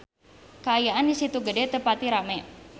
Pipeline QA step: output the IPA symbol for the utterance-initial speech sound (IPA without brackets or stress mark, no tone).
k